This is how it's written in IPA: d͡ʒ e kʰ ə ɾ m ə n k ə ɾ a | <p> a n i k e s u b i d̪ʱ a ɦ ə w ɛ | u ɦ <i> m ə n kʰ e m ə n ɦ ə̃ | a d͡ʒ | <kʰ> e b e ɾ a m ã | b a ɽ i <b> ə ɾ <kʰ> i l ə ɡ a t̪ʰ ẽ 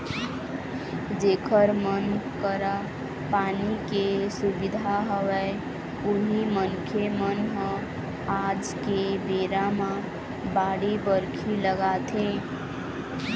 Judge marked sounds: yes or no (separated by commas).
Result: yes, yes, no, yes, yes